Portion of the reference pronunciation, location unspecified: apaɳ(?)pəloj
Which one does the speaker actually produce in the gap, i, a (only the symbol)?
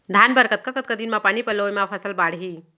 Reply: i